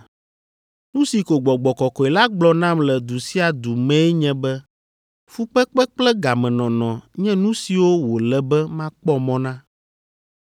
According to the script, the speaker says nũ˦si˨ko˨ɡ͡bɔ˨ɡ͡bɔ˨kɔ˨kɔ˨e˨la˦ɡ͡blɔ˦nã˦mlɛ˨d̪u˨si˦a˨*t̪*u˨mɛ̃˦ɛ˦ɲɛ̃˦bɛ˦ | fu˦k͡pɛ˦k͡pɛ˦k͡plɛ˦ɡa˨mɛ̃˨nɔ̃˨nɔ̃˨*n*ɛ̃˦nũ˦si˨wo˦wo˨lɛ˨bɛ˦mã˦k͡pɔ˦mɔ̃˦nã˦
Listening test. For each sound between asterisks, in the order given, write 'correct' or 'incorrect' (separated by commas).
incorrect, incorrect